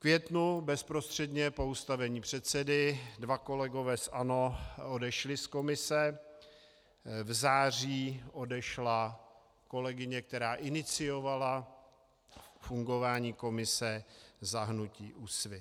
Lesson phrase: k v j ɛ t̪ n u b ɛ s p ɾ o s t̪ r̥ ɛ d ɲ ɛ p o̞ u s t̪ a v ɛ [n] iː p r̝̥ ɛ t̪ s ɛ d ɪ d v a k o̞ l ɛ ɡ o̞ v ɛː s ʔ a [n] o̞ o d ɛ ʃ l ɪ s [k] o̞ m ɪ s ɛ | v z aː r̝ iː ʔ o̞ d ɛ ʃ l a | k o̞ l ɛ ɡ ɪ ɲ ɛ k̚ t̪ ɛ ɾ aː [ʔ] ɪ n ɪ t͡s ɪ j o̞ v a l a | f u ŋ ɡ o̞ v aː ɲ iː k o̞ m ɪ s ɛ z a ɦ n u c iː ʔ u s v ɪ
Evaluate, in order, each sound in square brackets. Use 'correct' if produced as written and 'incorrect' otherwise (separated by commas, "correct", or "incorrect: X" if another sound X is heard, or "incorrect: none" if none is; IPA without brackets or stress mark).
incorrect: ɲ, correct, correct, correct